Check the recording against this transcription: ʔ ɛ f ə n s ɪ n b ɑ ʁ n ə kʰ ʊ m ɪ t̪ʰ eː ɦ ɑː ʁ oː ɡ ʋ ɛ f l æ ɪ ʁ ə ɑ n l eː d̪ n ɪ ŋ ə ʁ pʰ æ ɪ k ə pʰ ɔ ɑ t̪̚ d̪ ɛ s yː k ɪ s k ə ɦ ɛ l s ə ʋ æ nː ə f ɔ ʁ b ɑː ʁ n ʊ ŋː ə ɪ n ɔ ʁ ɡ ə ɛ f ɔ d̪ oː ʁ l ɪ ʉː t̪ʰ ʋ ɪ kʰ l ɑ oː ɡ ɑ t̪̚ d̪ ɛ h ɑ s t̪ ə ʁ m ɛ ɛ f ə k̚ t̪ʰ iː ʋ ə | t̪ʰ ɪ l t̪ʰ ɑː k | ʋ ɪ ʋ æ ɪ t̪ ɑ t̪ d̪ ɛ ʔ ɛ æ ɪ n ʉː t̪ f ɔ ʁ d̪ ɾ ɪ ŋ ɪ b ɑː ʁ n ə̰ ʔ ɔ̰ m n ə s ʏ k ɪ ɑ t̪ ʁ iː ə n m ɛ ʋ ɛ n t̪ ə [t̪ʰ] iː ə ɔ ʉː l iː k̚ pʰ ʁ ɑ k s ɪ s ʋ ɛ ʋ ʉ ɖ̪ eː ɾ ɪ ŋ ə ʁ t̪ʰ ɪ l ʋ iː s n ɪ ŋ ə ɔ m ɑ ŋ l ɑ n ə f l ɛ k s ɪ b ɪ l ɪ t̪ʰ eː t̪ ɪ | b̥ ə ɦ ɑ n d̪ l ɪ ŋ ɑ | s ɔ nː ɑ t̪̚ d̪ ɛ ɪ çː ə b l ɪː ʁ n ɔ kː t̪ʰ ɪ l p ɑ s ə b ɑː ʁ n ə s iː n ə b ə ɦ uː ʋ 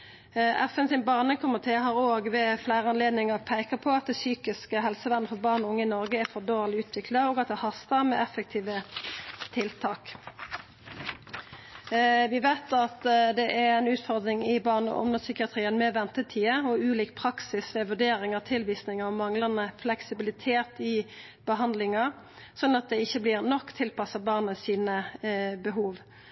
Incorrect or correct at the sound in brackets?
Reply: correct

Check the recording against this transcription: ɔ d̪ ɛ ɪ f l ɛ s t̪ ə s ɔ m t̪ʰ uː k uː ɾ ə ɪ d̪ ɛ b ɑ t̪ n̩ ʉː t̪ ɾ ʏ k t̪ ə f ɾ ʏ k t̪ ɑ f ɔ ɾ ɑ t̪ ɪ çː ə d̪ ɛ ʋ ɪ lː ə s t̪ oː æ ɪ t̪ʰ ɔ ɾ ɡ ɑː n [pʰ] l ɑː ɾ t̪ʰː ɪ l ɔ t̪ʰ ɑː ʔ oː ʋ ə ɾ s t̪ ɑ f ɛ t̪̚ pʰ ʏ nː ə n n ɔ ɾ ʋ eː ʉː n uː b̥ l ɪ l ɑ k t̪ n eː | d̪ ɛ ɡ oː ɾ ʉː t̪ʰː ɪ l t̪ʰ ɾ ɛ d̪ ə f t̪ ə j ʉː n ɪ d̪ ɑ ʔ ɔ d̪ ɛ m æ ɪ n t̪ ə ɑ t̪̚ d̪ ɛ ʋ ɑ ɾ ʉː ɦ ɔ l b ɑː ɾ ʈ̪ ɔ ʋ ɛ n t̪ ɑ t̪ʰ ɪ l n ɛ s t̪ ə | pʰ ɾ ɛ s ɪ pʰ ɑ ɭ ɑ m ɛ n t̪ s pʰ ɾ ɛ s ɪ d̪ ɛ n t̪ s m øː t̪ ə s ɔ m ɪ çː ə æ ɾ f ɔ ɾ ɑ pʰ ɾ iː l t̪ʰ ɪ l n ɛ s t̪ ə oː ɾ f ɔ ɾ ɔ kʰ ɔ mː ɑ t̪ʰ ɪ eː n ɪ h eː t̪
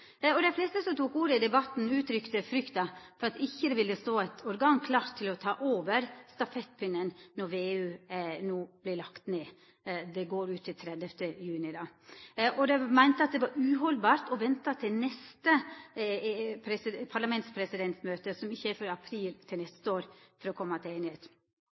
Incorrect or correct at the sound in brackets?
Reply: incorrect: kʰ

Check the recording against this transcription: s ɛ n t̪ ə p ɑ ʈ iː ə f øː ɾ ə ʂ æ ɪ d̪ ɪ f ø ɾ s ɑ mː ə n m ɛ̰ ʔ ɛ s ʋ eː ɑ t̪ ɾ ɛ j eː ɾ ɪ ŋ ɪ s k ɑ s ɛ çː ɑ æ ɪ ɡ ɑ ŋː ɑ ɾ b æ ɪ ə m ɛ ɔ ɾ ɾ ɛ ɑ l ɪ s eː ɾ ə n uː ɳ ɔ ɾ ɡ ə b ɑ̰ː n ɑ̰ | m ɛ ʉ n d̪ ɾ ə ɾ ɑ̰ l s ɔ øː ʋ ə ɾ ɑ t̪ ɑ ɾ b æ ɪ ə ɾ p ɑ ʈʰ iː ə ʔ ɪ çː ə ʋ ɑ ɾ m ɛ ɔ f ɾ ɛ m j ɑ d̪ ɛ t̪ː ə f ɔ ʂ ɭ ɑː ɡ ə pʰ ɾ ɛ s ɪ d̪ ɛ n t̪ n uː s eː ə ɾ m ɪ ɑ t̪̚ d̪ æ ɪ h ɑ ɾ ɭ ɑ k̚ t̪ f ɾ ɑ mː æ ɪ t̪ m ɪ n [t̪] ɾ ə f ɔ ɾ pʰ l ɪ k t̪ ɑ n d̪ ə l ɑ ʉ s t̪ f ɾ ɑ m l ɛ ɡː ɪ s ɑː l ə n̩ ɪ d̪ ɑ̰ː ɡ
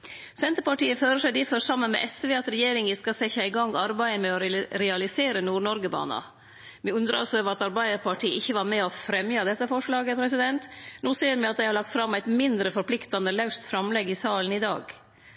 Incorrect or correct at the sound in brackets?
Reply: incorrect: d̪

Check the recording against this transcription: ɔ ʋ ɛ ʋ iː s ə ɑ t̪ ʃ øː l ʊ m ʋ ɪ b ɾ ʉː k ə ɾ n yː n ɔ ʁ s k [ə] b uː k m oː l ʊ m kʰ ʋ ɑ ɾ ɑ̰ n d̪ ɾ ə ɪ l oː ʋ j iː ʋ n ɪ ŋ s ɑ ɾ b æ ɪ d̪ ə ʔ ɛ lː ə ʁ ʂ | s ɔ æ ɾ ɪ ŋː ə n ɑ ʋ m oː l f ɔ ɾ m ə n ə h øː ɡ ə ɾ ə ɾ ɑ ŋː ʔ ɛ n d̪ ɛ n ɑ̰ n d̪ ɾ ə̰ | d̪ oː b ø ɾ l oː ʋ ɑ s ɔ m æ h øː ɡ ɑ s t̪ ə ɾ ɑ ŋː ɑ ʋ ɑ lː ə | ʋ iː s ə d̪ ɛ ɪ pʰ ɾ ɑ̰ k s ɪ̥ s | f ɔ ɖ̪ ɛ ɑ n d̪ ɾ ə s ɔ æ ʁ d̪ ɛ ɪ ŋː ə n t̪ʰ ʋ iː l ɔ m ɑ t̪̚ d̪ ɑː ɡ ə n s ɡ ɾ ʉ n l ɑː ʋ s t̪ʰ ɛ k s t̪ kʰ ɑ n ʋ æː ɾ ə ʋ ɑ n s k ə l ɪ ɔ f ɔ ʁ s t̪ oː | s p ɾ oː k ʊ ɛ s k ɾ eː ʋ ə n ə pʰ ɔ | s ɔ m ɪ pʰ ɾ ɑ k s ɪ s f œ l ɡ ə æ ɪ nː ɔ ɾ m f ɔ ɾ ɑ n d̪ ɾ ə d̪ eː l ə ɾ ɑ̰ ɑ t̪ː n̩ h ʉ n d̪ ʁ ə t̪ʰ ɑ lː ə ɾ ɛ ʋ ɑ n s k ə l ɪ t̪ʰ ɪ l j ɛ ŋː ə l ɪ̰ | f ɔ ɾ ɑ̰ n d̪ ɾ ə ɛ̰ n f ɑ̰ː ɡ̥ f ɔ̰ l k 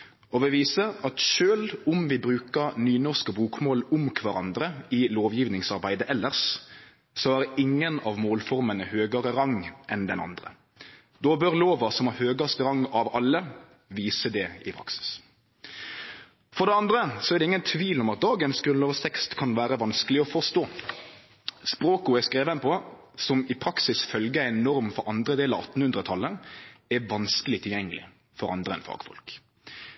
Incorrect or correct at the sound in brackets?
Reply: correct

